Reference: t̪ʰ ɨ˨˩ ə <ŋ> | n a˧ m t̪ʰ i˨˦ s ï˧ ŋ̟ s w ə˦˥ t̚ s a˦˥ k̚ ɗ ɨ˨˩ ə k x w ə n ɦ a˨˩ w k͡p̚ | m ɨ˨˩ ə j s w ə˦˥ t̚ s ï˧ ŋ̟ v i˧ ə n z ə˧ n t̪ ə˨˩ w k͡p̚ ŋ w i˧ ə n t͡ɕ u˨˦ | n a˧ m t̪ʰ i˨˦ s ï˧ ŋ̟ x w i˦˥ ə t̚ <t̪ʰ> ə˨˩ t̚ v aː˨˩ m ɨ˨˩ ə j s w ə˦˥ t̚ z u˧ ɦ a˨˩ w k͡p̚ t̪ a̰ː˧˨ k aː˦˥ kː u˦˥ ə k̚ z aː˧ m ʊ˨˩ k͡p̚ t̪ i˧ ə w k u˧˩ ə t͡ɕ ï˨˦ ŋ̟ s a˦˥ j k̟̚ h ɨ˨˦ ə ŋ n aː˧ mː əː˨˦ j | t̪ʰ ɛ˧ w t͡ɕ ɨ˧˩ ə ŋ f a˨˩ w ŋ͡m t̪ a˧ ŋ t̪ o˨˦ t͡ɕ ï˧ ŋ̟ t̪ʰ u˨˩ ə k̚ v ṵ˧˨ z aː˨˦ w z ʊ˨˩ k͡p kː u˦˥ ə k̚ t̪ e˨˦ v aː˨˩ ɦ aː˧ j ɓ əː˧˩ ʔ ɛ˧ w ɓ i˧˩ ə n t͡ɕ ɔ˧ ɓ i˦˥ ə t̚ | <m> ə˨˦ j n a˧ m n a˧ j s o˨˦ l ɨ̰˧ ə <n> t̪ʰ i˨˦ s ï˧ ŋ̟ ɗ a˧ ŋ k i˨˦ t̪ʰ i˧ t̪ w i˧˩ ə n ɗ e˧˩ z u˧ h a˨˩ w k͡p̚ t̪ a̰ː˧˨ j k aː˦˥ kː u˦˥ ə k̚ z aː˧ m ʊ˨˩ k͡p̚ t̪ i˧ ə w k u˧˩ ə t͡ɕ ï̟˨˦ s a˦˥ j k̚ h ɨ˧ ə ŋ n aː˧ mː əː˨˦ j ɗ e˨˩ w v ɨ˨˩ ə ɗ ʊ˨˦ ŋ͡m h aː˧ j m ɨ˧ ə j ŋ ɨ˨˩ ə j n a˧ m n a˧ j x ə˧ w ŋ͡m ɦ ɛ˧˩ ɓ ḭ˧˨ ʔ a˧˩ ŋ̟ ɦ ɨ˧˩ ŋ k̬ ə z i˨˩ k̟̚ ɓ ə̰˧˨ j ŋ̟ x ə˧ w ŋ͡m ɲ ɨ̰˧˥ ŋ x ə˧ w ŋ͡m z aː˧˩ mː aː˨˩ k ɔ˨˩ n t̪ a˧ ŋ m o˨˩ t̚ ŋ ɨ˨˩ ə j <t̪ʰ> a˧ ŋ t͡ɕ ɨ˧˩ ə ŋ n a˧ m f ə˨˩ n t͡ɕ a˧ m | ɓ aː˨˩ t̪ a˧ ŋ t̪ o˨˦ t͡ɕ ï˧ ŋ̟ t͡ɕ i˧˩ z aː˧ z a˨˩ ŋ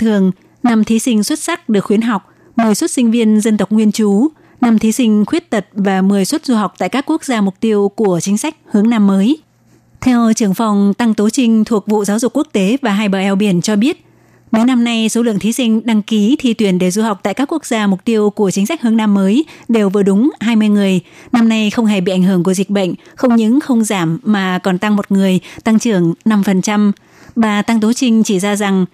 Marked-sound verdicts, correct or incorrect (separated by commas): correct, incorrect, correct, incorrect, incorrect